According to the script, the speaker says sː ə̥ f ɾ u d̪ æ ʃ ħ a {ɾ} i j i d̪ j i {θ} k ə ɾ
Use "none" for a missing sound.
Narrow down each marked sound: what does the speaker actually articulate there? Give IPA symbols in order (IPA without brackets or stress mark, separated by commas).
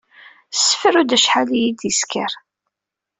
l, s